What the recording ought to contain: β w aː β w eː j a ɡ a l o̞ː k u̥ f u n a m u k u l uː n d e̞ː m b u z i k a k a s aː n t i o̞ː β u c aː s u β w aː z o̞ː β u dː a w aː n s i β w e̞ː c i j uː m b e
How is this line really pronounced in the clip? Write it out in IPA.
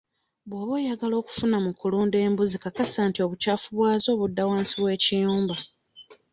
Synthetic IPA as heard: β w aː β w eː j a ɡ a l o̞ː k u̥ f u n a m u k u l uː n d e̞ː m b u z i k a k a s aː n t i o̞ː β u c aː f u β w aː z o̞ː β u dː a w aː n s i β w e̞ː c i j uː m b a